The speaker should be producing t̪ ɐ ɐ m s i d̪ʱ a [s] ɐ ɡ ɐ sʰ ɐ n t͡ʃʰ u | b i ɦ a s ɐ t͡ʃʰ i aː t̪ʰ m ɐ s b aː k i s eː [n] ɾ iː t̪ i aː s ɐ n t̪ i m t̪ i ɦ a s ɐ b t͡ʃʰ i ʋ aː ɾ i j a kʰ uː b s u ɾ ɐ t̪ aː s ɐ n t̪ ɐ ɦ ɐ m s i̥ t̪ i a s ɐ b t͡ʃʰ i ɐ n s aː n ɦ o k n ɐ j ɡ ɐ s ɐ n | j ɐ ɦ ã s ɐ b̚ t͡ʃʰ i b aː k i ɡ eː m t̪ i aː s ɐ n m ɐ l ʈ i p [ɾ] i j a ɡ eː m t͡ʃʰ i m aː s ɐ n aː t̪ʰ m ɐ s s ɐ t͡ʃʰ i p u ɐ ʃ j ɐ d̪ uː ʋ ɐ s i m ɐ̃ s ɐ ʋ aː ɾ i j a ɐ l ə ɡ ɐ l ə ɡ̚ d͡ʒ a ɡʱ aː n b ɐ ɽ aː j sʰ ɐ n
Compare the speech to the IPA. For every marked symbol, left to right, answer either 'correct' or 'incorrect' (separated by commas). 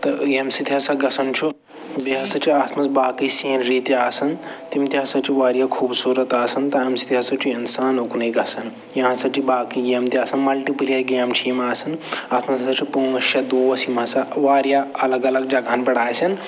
correct, correct, incorrect